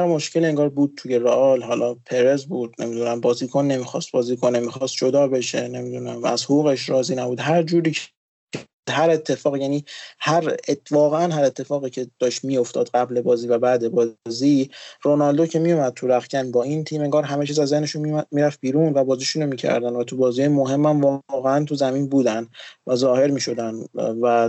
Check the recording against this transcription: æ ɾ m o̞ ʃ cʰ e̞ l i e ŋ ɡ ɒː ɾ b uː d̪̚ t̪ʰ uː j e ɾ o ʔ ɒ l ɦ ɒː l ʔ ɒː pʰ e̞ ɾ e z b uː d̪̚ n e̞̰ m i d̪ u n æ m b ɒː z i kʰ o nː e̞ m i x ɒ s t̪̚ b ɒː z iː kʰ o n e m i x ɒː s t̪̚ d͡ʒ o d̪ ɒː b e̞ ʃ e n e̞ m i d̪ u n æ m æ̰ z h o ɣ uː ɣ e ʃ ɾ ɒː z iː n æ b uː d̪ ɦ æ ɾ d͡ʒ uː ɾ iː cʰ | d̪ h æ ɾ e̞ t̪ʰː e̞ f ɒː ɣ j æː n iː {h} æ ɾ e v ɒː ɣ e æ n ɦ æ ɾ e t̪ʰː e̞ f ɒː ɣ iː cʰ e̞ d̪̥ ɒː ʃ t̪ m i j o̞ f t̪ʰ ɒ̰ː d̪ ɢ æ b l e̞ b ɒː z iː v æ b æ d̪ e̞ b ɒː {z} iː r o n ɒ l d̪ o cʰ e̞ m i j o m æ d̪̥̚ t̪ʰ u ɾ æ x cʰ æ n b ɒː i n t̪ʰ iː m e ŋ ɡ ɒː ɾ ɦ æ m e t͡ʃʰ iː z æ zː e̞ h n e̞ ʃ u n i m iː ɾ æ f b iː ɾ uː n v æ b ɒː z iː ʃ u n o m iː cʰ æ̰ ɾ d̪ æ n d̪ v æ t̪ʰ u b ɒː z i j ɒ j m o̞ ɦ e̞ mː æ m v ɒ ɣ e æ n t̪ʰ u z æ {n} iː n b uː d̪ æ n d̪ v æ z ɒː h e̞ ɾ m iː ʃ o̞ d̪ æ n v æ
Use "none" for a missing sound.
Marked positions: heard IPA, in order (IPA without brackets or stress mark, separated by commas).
h, z, m